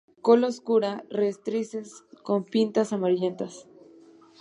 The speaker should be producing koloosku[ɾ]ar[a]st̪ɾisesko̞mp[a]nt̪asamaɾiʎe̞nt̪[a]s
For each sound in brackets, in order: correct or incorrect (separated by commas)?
correct, incorrect, incorrect, correct